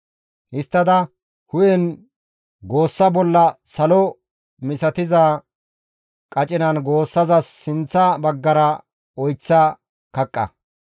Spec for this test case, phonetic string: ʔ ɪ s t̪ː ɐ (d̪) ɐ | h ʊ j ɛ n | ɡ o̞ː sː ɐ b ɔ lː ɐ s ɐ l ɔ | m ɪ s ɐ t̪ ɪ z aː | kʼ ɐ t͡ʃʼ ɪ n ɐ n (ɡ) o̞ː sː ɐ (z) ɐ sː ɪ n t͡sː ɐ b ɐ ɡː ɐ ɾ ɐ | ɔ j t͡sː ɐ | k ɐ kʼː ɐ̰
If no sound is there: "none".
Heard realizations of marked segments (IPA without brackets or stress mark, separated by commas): d̪, ɡ, z